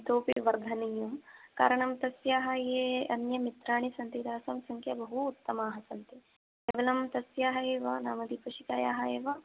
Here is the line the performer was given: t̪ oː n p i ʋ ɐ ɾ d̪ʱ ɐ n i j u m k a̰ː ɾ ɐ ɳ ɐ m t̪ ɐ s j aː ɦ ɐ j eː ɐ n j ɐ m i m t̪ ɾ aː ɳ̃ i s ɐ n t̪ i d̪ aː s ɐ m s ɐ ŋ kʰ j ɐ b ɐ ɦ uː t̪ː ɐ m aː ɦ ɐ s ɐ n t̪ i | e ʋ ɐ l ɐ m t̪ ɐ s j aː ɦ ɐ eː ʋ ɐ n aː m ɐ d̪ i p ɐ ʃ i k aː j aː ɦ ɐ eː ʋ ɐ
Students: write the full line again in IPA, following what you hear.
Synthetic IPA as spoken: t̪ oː p i ʋ ɐ ɾ d̪ʱ ɐ n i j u m k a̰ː ɾ ɐ ɳ ɐ m t̪ ɐ s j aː ɦ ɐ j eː ɐ n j ɐ m i t̪ ɾ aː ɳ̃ i s ɐ n t̪ i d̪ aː s ɐ m s ɐ ŋ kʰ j ɐ b ɐ ɦ uː t̪ː ɐ m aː ɦ ɐ s ɐ n t̪ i | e ʋ ɐ l ɐ m t̪ ɐ s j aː ɦ ɐ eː ʋ ɐ n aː m ɐ d̪ i p ɐ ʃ i k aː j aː ɦ ɐ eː ʋ ɐ